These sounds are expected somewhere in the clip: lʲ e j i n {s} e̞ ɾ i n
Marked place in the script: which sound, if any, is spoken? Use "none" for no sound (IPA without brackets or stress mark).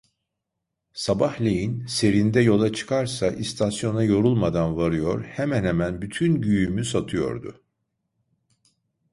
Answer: s